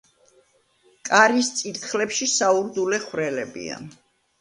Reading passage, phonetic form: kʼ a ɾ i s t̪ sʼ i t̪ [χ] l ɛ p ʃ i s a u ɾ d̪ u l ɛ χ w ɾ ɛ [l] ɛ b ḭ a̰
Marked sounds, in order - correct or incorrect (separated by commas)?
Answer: correct, correct